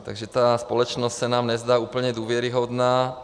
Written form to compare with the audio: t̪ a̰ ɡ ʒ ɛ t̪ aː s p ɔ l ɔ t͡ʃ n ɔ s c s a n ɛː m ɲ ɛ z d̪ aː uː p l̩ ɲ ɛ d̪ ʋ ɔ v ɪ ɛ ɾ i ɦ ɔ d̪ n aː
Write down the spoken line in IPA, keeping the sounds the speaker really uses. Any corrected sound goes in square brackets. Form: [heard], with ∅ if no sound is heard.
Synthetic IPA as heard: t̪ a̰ ɡ ʒ ɛ t̪ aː s p ɔ l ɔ t͡ʃ n ɔ s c s a n [aː] m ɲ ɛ z d̪ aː uː p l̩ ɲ ɛ d̪ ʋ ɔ [ʋ] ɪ ɛ ɾ i ɦ ɔ d̪ n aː

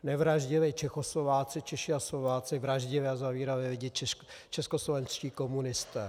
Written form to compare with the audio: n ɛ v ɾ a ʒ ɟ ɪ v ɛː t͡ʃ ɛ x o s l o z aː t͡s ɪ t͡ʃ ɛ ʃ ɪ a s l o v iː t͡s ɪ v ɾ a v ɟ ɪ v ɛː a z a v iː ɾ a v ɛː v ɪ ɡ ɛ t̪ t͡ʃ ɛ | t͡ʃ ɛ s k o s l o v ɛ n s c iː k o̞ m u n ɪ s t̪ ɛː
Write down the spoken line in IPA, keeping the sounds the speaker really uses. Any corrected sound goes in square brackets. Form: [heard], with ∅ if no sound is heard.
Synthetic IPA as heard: n ɛ v ɾ a ʒ ɟ ɪ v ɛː t͡ʃ ɛ x o s l o [v] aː t͡s ɪ t͡ʃ ɛ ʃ ɪ a s l o v [aː] t͡s ɪ v ɾ a [ʒ] ɟ ɪ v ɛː a z a v iː ɾ a v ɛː v ɪ [ɟ] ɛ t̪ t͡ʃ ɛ | t͡ʃ ɛ s k o s l o v ɛ n s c iː k o̞ m u n ɪ s t̪ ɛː

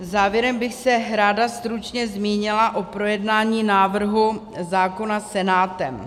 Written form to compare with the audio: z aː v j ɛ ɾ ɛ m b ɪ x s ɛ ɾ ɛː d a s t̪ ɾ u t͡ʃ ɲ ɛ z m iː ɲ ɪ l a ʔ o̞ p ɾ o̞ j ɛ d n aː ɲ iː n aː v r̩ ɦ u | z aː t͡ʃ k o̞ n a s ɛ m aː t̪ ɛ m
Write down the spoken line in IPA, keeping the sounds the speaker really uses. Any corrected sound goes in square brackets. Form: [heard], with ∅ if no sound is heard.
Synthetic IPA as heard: z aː v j ɛ ɾ ɛ m b ɪ x s ɛ ɾ [aː] d a s t̪ ɾ u t͡ʃ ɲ ɛ z m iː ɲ ɪ l a ʔ o̞ p ɾ o̞ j ɛ d n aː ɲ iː n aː v r̩ ɦ u | z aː [∅] k o̞ n a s ɛ [n] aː t̪ ɛ m

